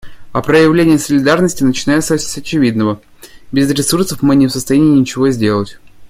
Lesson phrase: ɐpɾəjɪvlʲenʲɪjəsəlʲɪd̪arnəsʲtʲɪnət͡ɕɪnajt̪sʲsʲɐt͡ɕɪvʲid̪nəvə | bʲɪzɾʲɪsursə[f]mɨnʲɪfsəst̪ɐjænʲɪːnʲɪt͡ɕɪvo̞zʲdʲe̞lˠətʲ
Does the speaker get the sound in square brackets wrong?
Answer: no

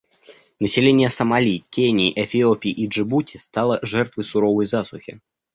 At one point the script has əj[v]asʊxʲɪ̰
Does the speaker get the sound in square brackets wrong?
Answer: yes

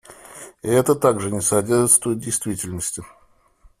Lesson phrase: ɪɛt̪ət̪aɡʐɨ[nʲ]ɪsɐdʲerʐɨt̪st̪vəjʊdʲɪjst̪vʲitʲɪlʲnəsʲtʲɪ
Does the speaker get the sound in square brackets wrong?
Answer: no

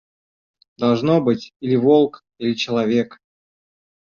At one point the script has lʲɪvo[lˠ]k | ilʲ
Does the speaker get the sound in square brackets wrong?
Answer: no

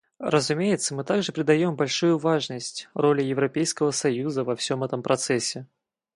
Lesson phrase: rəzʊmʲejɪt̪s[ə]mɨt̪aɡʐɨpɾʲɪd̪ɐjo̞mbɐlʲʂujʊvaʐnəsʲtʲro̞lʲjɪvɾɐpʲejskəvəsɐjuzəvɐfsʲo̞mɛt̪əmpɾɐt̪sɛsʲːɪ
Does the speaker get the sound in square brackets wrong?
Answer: no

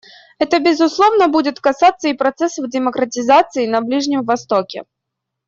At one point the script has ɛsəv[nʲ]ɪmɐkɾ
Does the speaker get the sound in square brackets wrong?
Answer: yes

